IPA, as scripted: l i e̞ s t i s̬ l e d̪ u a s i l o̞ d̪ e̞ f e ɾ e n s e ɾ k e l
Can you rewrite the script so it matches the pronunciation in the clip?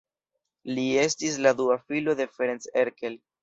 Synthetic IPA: l i e̞ s t i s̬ l a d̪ u a f i l o̞ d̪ e̞ f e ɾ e n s e ɾ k e l

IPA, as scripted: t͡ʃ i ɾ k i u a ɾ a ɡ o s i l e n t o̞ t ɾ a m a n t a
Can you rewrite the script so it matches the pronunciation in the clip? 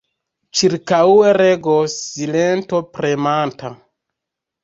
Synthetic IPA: t͡ʃ i ɾ k a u e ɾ e ɡ o s i l e n t o̞ p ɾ e m a n t a

